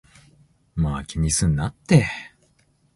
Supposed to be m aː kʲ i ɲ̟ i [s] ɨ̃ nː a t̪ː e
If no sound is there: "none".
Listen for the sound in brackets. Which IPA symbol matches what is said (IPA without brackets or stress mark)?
s